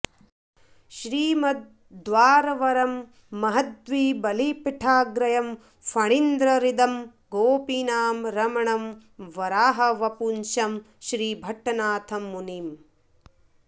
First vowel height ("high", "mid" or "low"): high